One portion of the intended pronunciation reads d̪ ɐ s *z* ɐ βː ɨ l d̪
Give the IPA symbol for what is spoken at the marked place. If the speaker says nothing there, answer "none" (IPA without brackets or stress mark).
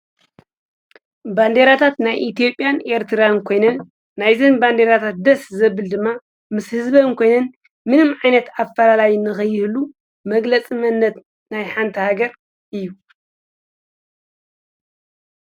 z